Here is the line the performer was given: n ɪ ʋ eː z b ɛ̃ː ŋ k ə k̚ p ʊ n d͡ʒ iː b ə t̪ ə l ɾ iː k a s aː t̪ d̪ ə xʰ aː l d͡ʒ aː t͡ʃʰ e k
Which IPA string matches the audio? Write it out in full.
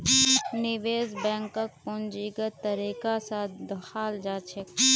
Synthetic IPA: n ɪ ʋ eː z b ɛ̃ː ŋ k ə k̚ p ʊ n d͡ʒ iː ɡ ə t̪ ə ɾ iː k a s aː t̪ d̪ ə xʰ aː l d͡ʒ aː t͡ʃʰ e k